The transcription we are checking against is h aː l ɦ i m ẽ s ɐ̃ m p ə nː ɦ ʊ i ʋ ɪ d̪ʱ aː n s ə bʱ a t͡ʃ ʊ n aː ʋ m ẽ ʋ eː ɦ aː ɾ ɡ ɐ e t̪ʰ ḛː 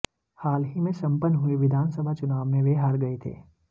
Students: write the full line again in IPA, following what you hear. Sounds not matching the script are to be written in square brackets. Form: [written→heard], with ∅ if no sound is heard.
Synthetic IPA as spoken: h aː l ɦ i m ẽ s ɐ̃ m p ə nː ɦ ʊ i ʋ ɪ d̪ʱ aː n s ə bʱ a t͡ʃ ʊ n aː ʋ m ẽ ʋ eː ɦ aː ɾ ɡ ɐ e t̪ʰ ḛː